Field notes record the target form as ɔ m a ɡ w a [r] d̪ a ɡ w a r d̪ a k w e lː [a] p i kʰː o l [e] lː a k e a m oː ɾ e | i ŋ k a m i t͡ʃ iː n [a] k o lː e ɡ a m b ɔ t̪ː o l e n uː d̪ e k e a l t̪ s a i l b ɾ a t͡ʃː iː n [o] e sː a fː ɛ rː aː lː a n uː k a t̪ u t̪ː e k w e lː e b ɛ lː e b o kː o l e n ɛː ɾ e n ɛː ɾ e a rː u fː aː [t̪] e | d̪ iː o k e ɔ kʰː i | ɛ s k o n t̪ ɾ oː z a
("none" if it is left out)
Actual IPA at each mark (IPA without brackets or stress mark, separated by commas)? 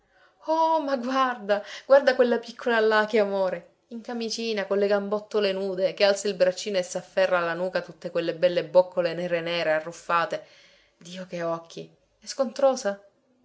r, a, a, a, o, t̪